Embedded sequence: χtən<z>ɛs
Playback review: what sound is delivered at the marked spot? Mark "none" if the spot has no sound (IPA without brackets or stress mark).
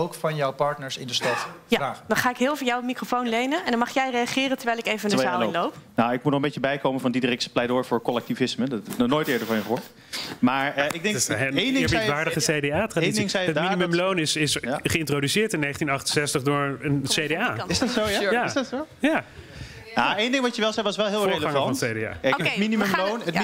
s